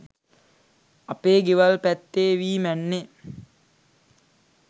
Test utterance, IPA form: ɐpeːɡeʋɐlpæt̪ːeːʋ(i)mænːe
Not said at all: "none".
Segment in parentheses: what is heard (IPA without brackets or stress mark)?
iː